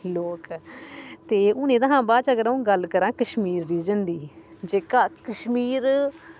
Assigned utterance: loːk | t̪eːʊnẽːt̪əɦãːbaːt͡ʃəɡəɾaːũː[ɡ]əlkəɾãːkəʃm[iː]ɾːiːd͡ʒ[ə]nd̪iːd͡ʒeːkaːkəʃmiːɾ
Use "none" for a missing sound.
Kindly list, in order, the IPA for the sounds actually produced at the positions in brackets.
ɡ, iː, ə

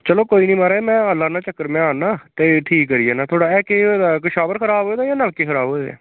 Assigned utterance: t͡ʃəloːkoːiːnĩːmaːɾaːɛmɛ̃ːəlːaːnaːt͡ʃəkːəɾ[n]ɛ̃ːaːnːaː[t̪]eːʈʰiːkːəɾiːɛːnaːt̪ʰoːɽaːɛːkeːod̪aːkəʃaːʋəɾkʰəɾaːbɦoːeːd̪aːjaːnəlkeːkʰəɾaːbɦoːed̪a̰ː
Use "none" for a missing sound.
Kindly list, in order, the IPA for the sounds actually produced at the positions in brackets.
m, t̪

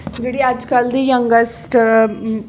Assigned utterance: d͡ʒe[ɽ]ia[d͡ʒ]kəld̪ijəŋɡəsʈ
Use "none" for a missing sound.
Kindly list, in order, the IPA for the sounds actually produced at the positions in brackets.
ɽ, d͡ʒ

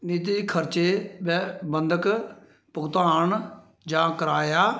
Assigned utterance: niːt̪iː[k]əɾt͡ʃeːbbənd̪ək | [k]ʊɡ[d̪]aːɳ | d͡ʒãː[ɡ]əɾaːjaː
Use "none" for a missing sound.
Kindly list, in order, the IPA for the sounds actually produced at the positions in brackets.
kʰ, p, t̪, k

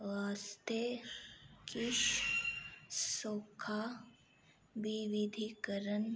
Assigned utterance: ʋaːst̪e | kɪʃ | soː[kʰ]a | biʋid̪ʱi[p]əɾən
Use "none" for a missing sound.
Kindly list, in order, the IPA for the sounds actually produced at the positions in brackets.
kʰ, k

